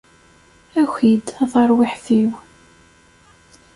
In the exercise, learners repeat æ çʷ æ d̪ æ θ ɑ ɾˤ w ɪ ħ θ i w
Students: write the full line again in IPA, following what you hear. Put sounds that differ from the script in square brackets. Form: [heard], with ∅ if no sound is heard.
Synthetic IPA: æ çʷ [i] d̪ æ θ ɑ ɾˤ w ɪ ħ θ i w